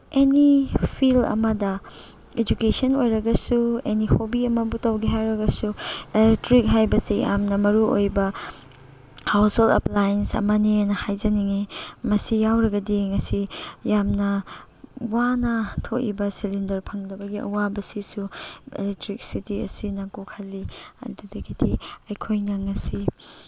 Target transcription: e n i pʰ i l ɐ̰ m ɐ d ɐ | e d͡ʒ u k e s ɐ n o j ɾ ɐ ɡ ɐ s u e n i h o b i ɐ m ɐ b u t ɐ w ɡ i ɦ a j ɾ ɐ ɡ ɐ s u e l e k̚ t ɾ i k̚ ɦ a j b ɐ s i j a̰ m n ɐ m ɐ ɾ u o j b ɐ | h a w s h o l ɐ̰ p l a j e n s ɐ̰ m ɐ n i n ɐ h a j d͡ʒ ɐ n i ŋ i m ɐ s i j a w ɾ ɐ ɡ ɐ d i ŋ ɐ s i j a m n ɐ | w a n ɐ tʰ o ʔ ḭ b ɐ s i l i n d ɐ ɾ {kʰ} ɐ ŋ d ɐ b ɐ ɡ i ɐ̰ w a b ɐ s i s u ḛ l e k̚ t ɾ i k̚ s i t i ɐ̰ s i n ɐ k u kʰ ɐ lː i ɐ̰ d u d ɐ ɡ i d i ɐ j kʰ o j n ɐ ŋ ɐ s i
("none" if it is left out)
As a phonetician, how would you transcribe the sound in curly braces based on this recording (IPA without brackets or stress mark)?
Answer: pʰ